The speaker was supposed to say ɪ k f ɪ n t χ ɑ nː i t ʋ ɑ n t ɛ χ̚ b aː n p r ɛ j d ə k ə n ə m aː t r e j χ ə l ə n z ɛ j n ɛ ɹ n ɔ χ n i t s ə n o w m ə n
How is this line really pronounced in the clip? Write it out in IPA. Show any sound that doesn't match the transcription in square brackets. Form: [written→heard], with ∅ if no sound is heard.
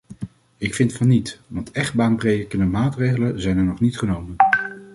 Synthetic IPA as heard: ɪ k f ɪ n t [χ→f] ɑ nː i t ʋ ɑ n t ɛ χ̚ b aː n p r [ɛ→e] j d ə k ə n ə m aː t r e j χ ə l ə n z ɛ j n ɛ ɹ n ɔ χ n i t [s→χ] ə n o w m ə n